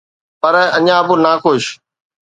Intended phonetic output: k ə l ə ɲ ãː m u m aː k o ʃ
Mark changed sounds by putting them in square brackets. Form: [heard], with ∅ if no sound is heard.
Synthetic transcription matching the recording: [p] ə [ɾ] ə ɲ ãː [b] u [n] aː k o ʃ